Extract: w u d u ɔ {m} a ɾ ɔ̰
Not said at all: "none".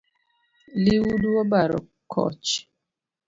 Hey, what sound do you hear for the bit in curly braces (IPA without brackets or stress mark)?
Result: b